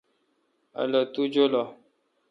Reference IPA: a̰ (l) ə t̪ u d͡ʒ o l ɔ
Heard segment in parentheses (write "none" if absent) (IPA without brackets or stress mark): l